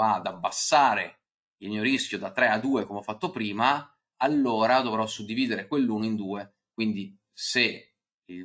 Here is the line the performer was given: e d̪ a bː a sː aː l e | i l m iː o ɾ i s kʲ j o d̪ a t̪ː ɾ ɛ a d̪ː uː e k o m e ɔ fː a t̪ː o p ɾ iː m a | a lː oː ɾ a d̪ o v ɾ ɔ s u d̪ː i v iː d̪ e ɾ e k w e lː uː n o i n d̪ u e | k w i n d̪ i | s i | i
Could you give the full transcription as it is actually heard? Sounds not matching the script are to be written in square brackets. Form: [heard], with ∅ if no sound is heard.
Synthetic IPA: [a] d̪ a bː a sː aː [ɾ] e | i l m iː o ɾ i s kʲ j o d̪ a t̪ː ɾ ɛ a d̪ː uː e k o m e ɔ fː a t̪ː o p ɾ iː m a | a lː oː ɾ a d̪ o v ɾ ɔ s u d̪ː i v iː d̪ e ɾ e k w e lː uː n o i n d̪ [uː] e | k w i n d̪ i | s [e] | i